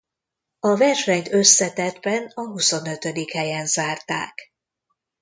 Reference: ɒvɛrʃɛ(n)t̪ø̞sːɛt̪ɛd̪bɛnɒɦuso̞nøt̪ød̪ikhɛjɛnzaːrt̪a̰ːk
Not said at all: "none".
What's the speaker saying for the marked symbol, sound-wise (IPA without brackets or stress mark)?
ɲ